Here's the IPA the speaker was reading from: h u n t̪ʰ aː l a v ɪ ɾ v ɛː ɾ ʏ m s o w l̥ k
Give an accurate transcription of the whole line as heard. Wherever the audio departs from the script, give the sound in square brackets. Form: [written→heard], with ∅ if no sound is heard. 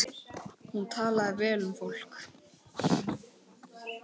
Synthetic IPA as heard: h u n t̪ʰ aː l a [v→ð] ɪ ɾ v ɛː [ɾ→l] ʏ m [s→f] o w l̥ k